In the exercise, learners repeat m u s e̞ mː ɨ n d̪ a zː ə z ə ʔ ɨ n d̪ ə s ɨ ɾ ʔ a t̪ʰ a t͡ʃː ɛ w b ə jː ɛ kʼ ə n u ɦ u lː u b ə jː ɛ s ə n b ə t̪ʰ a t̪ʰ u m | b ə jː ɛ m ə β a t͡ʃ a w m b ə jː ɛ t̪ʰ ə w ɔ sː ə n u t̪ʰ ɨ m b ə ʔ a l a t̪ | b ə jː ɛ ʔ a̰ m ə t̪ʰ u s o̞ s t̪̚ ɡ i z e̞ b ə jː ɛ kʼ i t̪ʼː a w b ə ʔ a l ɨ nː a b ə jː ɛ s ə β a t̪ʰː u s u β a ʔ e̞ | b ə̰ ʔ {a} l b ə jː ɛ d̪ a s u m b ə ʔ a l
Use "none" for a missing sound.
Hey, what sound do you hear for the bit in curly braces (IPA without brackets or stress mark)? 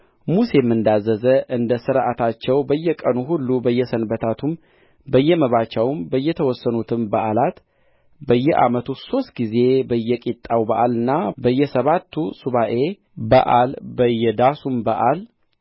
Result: a